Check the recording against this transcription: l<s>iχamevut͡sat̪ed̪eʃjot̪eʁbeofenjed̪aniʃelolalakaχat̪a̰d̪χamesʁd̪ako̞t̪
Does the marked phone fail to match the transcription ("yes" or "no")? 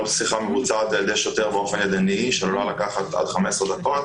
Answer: no